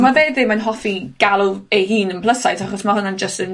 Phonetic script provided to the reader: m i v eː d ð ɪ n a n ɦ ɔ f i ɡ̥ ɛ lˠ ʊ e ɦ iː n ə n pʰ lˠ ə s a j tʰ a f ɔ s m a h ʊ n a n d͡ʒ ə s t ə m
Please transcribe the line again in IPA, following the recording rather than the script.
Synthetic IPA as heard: m a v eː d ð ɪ m a n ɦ ɔ f i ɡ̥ a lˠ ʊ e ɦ iː n ə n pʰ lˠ ə s a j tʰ a χ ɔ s m a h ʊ n a n d͡ʒ ə s t ə n